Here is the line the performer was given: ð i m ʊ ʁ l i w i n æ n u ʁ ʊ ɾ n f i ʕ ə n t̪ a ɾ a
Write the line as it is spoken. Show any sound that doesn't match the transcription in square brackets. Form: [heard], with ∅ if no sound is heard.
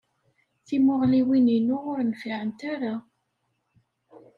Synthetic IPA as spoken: [θ] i m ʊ ʁ l i w i n [i] n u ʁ ʊ ɾ n f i ʕ ə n t̪ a ɾ a